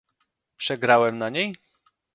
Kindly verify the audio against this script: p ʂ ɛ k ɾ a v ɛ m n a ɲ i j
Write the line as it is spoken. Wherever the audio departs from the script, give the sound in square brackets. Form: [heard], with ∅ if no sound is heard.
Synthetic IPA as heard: p ʂ ɛ [ɡ] ɾ a [w] ɛ m n a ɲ [e] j